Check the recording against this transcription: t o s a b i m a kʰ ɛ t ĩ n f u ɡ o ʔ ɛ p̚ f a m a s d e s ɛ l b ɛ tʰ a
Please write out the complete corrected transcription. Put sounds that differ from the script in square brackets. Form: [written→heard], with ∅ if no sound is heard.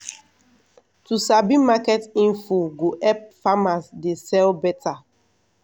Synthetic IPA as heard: t [o→u] s a b i m a [kʰ→k] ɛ t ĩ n f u ɡ o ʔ ɛ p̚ f a m a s d e s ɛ l b ɛ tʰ a